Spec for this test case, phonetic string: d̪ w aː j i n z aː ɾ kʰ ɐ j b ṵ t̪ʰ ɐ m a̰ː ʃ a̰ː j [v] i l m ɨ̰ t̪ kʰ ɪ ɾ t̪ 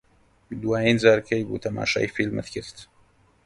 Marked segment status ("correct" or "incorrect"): incorrect